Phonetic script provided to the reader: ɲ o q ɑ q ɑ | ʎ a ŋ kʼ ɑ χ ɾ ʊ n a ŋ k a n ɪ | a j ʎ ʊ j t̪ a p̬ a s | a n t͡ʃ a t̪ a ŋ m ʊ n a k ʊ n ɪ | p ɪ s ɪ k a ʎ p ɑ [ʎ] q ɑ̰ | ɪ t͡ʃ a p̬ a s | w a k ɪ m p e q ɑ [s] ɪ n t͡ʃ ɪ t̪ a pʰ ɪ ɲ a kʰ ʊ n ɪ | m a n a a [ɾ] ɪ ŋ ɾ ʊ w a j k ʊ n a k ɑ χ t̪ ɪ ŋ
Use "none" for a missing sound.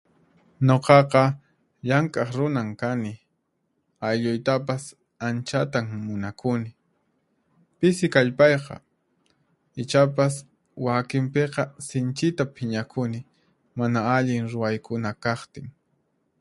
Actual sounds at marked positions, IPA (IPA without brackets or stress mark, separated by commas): j, s, ʎ